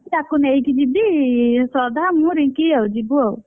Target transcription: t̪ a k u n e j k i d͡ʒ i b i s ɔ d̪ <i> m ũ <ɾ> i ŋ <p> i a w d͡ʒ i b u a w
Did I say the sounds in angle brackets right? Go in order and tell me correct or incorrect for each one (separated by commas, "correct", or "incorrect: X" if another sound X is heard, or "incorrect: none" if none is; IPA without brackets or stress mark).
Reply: incorrect: a, correct, incorrect: k